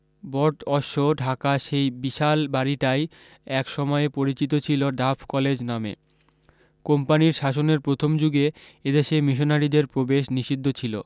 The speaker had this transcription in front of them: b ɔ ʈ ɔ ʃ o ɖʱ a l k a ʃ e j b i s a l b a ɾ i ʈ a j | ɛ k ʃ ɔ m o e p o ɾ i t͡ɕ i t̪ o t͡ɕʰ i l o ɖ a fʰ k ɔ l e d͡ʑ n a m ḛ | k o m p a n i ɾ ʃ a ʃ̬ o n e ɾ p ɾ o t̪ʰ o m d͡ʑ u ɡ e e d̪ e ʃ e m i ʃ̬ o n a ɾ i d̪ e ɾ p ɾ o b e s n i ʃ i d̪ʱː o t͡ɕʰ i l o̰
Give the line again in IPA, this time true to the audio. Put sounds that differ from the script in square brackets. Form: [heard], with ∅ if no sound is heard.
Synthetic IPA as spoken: b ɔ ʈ ɔ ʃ o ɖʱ a [∅] k a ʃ e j b i [ʃ] a l b a ɾ i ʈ a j | ɛ k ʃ ɔ m [ɔ] e p o ɾ i t͡ɕ i t̪ o t͡ɕʰ i l o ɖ a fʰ k ɔ l e d͡ʑ n a m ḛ | k o m p a n i ɾ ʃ a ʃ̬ o n e ɾ p ɾ o t̪ʰ o m d͡ʑ u ɡ e e d̪ e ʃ e m i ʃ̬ o n a ɾ i d̪ e ɾ p ɾ o b e [ʃ] n i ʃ i d̪ʱː o t͡ɕʰ i l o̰